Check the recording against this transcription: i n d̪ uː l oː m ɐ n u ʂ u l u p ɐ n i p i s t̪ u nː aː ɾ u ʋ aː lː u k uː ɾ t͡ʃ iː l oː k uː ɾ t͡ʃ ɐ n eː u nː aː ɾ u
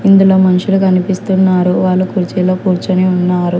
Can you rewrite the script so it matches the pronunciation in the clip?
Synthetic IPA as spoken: i n d̪ u l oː m ɐ n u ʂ u l u k ɐ n i p i s t̪ u nː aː ɾ u ʋ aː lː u k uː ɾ t͡ʃ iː l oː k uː ɾ t͡ʃ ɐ n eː u nː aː ɾ u